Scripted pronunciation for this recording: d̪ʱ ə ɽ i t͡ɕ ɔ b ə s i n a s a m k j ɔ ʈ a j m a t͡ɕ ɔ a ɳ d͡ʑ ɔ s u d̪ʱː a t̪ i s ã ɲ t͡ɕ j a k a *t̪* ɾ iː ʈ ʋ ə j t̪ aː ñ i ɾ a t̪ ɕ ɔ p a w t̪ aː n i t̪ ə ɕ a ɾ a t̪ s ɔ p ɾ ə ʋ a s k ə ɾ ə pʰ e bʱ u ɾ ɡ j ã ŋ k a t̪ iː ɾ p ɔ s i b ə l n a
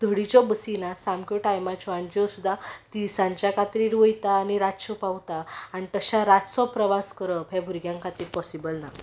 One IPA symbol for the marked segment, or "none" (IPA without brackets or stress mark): t̪